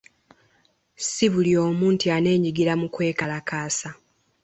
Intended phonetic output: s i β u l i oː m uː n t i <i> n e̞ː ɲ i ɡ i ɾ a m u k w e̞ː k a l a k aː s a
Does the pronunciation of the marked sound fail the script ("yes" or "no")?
yes